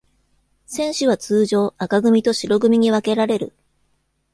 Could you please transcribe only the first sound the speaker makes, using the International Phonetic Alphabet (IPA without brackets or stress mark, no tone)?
s